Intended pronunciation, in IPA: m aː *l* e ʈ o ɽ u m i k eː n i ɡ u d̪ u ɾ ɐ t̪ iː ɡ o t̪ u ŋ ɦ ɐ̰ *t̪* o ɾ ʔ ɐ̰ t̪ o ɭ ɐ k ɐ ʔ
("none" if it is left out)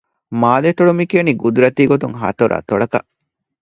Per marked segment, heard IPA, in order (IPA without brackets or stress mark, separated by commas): l, t̪